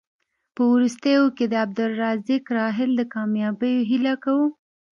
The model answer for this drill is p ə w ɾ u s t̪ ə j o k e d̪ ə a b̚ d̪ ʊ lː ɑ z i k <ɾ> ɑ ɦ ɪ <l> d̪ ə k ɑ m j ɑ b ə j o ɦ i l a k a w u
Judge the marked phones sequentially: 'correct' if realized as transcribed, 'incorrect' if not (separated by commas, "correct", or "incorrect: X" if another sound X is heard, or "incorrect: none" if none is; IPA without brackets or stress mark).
correct, correct